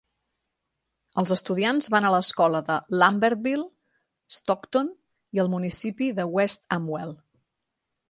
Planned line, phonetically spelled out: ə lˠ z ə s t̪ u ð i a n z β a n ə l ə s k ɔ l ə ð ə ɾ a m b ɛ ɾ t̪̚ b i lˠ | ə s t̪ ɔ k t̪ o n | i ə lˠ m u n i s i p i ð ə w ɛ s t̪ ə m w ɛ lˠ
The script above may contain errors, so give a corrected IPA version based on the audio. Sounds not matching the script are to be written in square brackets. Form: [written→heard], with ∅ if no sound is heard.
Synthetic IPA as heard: ə lˠ z ə s t̪ u ð i a n z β a n ə l ə s k ɔ l ə ð ə [ɾ→l] a m b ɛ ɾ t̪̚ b i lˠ | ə s t̪ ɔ k t̪ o n | i ə lˠ m u n i s i p i ð ə w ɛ s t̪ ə m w ɛ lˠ

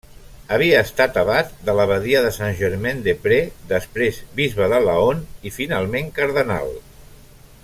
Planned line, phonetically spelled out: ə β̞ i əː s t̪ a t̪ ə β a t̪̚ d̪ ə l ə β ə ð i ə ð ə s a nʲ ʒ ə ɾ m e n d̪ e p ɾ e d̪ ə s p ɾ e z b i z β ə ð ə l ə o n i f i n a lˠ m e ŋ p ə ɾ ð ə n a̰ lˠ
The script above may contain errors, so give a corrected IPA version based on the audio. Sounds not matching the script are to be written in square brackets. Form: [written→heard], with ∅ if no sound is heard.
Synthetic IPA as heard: ə β̞ i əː s t̪ a t̪ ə β a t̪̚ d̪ ə l ə β ə ð i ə ð ə s a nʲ ʒ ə ɾ m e n d̪ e p ɾ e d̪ ə s p ɾ e z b i z β ə ð ə l ə o n i f i n a lˠ m e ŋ [p→k] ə ɾ ð ə n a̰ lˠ

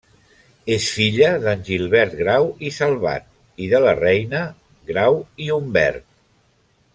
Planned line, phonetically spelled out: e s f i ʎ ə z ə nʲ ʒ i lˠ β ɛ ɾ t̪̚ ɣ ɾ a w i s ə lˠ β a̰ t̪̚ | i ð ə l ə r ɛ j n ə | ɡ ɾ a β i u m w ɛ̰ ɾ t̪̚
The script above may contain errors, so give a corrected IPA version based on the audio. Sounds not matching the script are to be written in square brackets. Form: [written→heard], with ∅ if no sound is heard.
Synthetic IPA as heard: e s f i ʎ ə [z→ð] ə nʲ ʒ i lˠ β ɛ ɾ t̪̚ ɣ ɾ a w i s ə lˠ β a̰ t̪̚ | i ð ə l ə r ɛ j n ə | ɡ ɾ a [β→w] i u m [w→b] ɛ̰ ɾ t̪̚

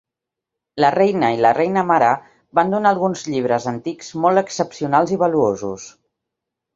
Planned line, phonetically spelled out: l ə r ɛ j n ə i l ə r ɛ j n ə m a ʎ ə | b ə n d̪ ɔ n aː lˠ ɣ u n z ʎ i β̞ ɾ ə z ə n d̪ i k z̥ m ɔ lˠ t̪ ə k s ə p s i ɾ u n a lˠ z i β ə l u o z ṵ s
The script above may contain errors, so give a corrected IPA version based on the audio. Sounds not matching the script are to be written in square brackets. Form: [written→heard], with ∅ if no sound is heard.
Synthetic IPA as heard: l ə r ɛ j n ə i l ə r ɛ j n ə m a [ʎ→ɾ] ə | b [ə→a] n d̪ [ɔ→u] n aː lˠ ɣ u n z ʎ i β̞ ɾ ə z ə n [d̪→t̪] i k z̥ m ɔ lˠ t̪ ə k s ə p s i [ɾ→∅] u n a lˠ z i β ə l u o z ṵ s

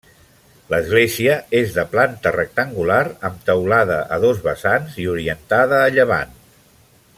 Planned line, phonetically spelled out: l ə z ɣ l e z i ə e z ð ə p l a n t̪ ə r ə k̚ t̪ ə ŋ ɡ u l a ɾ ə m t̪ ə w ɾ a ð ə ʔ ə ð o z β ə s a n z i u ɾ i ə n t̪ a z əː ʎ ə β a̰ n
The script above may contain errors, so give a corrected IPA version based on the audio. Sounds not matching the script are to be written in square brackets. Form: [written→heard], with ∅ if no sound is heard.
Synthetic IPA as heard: l ə z ɣ l e z i ə e z ð ə p l a n t̪ ə r ə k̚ t̪ ə ŋ ɡ u l a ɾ ə m t̪ ə w [ɾ→l] a ð ə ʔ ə ð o z β ə s a n z i u ɾ i ə n t̪ a [z→ð] əː ʎ ə β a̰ n

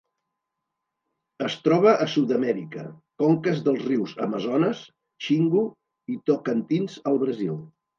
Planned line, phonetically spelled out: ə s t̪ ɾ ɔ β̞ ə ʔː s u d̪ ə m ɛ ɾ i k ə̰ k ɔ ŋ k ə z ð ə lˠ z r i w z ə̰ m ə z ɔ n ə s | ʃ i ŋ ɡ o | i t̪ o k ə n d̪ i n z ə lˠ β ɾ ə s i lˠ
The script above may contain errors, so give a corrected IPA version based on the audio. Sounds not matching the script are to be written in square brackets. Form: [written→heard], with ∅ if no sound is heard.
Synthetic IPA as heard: ə s t̪ ɾ ɔ β̞ ə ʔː s u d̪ ə m ɛ ɾ i k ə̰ k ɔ ŋ k ə z ð ə lˠ z r i w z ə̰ m ə z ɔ n ə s | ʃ i ŋ ɡ [o→u] | i t̪ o k ə n [d̪→t̪] i n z ə lˠ β ɾ ə [s→z] i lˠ

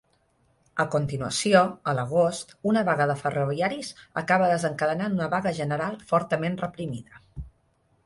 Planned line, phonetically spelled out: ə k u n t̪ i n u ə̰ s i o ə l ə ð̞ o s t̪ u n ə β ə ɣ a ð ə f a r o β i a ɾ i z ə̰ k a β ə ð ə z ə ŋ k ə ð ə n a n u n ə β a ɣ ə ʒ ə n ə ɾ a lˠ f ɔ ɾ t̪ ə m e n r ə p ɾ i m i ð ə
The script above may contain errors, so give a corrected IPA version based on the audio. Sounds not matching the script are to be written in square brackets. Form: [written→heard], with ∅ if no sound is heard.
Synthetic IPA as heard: ə k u n t̪ i n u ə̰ s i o ə l ə [ð̞→ɣ̞] o s t̪ u n ə β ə ɣ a ð ə f [a→ə] r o β i a ɾ i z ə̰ k a β ə ð ə z ə ŋ k ə ð ə n a n u n ə β a ɣ ə ʒ ə n ə ɾ a lˠ f ɔ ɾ t̪ ə m e n r ə p ɾ i m i ð ə

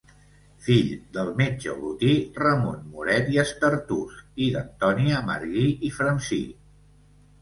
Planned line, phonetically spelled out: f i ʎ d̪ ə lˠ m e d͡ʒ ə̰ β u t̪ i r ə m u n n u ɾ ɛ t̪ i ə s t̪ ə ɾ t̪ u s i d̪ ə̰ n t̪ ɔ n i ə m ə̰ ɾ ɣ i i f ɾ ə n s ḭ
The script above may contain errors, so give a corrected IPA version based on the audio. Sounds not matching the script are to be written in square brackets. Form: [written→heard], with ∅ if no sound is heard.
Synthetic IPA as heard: f i ʎ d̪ ə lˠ m e d͡ʒ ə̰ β u t̪ i r ə m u n [n→m] u ɾ ɛ t̪ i ə s t̪ ə ɾ t̪ u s i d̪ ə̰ n t̪ ɔ n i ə m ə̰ ɾ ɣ i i f ɾ ə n s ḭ

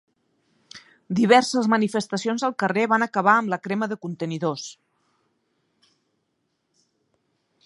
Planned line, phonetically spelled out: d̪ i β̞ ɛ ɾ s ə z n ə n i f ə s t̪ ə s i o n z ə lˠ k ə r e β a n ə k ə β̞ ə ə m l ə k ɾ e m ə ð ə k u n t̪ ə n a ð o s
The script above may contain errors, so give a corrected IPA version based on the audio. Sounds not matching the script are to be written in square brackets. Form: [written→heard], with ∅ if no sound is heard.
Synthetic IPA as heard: d̪ i β̞ ɛ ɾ s ə z [n→m] ə n i f ə s t̪ ə s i o n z ə lˠ k ə r e β a n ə k ə β̞ [ə→a] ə m l ə k ɾ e m ə ð ə k u n t̪ ə n [a→i] ð o s

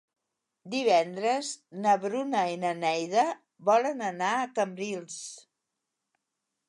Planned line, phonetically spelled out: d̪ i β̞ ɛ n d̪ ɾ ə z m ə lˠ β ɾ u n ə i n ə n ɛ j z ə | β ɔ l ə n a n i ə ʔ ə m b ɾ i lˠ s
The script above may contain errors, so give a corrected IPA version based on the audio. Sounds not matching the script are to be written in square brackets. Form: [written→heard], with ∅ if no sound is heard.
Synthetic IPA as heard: d̪ i β̞ ɛ n d̪ ɾ ə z [m→n] ə [lˠ→∅] β ɾ u n ə i n ə n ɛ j [z→ð] ə | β ɔ l ə n [a→ə] n [i→a] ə [ʔ→k] ə m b ɾ i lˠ s

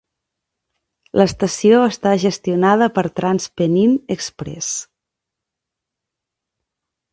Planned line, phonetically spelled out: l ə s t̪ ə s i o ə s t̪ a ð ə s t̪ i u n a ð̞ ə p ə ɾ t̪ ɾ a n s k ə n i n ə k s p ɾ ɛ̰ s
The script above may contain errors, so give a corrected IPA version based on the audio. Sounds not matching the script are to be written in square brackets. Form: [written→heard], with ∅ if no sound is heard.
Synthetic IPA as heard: l ə s t̪ ə s i o ə s t̪ a [ð→ʒ] ə s t̪ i u n a ð̞ ə p ə ɾ t̪ ɾ a n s [k→p] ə n i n ə k s p ɾ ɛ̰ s

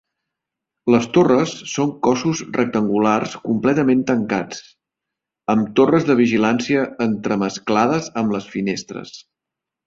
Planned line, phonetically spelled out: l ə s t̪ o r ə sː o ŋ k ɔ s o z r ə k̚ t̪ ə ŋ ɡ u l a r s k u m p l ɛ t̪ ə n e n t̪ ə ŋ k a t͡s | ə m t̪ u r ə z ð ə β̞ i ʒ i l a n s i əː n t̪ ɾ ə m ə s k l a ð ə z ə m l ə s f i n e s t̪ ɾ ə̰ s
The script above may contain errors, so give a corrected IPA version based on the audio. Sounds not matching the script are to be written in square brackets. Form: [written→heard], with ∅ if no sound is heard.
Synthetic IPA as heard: l ə s t̪ o r ə sː o ŋ k ɔ s [o→u] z r ə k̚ t̪ ə ŋ ɡ u l a r s k u m p l ɛ t̪ ə [n→m] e n t̪ ə ŋ k a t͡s | ə m t̪ [u→o] r ə z ð ə β̞ i ʒ i l a n s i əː n t̪ ɾ ə m ə s k l a ð ə z ə m l ə s f i n e s t̪ ɾ ə̰ s

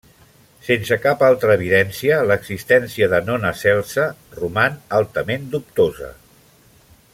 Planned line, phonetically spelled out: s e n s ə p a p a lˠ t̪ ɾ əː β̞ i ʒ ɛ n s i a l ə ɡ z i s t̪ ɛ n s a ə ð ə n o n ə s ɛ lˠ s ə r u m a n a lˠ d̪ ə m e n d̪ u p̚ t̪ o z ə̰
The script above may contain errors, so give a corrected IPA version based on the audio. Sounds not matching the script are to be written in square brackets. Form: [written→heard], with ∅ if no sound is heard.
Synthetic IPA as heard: s e n s ə [p→k] a p a lˠ t̪ ɾ əː β̞ i [ʒ→ð] ɛ n s i [a→ə] l ə ɡ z i s t̪ ɛ n s [a→i] ə ð ə n o n ə s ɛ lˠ s ə r u m a n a lˠ [d̪→t̪] ə m e n d̪ u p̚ t̪ o z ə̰

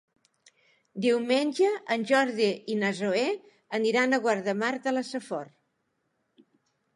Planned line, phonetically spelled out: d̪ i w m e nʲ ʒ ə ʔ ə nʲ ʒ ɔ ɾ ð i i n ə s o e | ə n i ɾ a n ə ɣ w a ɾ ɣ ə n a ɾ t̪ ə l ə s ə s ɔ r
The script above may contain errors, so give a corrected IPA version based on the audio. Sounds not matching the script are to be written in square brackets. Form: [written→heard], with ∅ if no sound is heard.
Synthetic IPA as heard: d̪ i w m e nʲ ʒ ə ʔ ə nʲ ʒ ɔ ɾ ð i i n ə [s→z] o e | ə n i ɾ a n ə ɣ w a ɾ [ɣ→ð] ə [n→m] a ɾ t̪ ə l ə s ə [s→f] ɔ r

